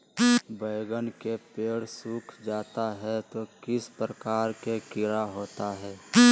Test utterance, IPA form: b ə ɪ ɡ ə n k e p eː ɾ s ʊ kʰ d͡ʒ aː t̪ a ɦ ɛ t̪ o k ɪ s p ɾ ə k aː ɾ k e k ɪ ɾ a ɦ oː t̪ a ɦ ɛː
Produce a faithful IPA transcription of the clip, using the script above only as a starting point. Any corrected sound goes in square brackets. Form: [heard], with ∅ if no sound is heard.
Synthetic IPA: b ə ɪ ɡ ə n k e p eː [ɽ] s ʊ kʰ d͡ʒ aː t̪ a ɦ ɛ t̪ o k ɪ s p ɾ ə k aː ɾ k e k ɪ ɾ a ɦ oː t̪ a ɦ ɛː

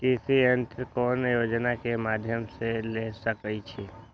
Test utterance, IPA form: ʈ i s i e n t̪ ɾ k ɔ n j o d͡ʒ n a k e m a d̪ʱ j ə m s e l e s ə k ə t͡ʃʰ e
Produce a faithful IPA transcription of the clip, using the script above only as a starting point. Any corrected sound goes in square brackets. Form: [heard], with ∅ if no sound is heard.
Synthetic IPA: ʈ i s i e n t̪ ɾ k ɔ n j o d͡ʒ n a k e m a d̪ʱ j ə m s e l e s ə k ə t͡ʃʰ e

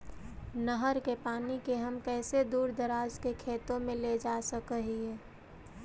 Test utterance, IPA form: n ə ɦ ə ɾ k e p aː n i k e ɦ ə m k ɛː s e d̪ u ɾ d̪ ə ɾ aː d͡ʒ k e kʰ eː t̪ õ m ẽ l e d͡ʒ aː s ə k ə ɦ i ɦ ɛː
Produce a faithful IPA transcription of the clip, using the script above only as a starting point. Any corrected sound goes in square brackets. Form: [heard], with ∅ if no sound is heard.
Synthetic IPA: n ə ɦ ə ɾ k e p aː n i k e ɦ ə m k ɛː s e d̪ [uː] ɾ d̪ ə ɾ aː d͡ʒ k e kʰ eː t̪ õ m ẽ l e d͡ʒ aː s ə k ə ɦ i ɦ ɛː

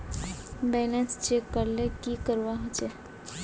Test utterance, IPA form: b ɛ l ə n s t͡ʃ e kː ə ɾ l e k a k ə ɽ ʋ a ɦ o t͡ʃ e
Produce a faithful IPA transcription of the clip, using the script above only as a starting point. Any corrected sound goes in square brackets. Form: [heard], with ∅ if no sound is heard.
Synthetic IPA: b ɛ l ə n s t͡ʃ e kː ə ɾ l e k [i] k ə [ɾ] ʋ a ɦ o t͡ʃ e

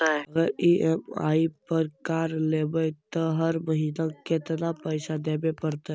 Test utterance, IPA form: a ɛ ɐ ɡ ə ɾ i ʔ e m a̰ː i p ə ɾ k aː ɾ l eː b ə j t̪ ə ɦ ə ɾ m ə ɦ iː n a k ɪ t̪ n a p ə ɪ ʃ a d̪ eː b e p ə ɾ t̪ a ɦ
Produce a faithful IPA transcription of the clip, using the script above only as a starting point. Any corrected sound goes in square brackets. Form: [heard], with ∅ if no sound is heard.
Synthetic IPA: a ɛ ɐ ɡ ə ɾ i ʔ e m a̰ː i p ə ɾ k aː ɾ l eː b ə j t̪ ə ɦ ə ɾ m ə ɦ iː n a k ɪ t̪ n a p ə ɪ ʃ a d̪ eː b e p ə ɾ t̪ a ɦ

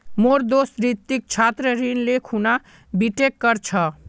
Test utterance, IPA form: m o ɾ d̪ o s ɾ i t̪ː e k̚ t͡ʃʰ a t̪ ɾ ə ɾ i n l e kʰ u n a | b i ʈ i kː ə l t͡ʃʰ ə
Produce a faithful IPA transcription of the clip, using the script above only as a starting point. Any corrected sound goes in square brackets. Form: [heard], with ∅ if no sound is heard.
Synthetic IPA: m o ɾ d̪ o s ɾ i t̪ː [i] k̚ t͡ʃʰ a t̪ ɾ ə ɾ i n l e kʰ u n a | b i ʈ [e] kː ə [ɾ] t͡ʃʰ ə

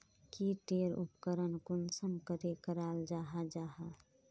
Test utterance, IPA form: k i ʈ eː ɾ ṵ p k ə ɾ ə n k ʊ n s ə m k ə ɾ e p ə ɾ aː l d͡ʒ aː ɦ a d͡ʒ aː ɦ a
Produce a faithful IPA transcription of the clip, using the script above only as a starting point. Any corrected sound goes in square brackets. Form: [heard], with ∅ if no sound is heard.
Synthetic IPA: k i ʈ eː ɾ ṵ p k ə ɾ ə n k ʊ n s ə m k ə ɾ e [k] ə ɾ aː l d͡ʒ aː ɦ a d͡ʒ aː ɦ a

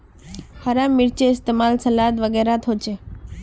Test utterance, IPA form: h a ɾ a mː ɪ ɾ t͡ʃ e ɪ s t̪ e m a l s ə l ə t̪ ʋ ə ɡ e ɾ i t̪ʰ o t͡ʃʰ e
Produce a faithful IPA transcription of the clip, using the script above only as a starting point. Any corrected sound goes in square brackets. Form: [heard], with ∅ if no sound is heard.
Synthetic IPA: h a ɾ a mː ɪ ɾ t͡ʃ e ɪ s t̪ e m a l s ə l [a] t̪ ʋ ə ɡ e ɾ [a] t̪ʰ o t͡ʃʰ e

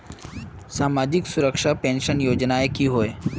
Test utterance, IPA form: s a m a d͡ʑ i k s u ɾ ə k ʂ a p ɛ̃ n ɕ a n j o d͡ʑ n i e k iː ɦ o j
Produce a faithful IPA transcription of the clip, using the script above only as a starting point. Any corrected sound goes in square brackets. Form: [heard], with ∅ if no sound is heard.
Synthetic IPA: s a m a d͡ʑ i k s u ɾ ə k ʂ a p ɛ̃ n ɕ [ə] n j o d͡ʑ n [a] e k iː ɦ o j

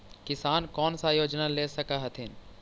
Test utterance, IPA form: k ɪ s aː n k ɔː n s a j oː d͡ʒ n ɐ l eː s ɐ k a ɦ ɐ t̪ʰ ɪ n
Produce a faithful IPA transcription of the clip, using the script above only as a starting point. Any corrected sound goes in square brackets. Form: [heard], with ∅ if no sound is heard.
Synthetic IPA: k ɪ s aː n k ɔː n s a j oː d͡ʒ n [a] l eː s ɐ k a ɦ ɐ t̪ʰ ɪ n

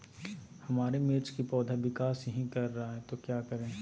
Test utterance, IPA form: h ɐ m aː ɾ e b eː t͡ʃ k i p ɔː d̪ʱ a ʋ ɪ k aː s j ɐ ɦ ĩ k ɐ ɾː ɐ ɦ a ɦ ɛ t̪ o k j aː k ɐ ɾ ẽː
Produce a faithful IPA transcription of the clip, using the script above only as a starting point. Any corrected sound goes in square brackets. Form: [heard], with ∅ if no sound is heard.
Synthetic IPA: h ɐ m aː ɾ e [m] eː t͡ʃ k i p ɔː d̪ʱ a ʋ ɪ k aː s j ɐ ɦ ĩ k ɐ ɾː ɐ ɦ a ɦ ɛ t̪ o k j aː k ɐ ɾ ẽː

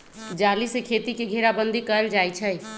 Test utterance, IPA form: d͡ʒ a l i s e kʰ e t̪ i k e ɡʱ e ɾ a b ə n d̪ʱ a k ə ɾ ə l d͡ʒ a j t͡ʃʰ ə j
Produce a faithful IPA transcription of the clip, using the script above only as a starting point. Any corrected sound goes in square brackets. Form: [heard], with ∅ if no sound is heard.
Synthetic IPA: d͡ʒ a l i s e kʰ e t̪ i k e ɡʱ e ɾ a b ə n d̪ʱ [i] k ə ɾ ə l d͡ʒ a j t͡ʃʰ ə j

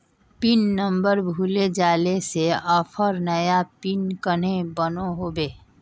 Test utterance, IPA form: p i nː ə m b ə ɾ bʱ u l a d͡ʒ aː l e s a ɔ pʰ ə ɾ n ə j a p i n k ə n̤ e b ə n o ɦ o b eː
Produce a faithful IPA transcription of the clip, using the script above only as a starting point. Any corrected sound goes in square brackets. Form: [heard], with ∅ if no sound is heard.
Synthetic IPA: p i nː ə m b ə ɾ bʱ u l [e] d͡ʒ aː l e s [e] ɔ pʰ ə ɾ n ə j a p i n k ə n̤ e b ə n o ɦ o b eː

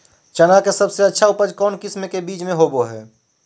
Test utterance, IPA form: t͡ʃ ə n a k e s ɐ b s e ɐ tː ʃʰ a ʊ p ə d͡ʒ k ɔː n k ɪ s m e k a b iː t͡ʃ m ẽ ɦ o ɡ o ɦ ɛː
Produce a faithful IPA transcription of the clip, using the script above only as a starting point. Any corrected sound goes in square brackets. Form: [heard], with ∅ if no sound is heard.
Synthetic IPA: t͡ʃ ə n a k e s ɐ b s e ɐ tː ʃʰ a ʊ p ə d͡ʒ k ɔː n k ɪ s m e k [e] b iː t͡ʃ m ẽ ɦ o [b] o ɦ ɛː

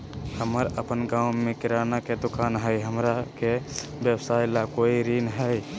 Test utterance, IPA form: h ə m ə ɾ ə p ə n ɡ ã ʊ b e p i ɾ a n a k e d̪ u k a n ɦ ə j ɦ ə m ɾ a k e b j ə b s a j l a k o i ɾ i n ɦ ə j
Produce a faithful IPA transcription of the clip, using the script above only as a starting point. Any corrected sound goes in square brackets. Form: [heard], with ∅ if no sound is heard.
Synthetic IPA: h ə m ə ɾ ə p ə n ɡ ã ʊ [m] e [k] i ɾ a n a k e d̪ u k a n ɦ ə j ɦ ə m ɾ a k e b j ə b s a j l a k o i ɾ i n ɦ ə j

